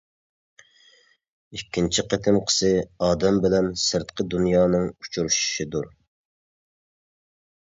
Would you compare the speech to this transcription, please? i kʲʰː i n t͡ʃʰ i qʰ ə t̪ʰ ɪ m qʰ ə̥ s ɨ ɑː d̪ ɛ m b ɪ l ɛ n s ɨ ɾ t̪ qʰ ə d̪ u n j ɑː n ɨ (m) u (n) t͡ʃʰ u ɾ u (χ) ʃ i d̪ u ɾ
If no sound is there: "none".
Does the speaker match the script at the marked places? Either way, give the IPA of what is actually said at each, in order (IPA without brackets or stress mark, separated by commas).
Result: ŋ, none, ʃ